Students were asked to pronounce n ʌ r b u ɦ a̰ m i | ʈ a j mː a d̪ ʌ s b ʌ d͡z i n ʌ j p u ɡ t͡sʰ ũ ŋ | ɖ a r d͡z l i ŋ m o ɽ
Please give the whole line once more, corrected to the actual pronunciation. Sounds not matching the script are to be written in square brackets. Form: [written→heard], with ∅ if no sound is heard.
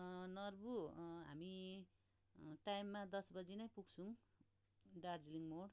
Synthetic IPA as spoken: n ʌ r b u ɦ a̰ m i | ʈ a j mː a d̪ ʌ s b ʌ d͡z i n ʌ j p u ɡ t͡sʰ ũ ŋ | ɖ a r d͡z l i ŋ m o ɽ